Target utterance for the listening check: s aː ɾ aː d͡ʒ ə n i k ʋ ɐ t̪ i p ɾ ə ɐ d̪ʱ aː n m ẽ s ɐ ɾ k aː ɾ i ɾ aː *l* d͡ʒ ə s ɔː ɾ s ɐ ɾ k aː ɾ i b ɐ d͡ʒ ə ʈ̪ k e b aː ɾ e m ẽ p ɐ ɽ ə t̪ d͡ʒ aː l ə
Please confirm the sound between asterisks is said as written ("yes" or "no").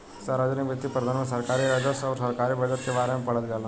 no